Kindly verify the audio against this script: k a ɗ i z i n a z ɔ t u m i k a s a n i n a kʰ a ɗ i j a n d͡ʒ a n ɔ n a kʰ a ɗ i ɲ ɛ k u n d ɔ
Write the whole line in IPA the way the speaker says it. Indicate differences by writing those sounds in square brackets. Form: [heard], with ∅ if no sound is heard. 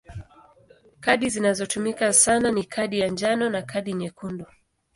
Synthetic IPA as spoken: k a ɗ i z i n a z ɔ t u m i k a s a n [a] n [i] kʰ a ɗ i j a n d͡ʒ a n ɔ n a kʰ a ɗ i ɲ ɛ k u n d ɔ